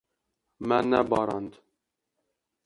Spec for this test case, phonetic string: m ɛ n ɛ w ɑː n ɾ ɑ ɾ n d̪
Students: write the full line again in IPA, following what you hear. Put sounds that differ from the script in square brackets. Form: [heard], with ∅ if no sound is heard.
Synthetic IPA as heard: m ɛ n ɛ [b] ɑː [∅] ɾ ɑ [∅] n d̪